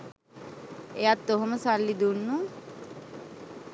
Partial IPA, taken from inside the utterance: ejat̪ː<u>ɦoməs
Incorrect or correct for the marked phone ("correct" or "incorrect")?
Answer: incorrect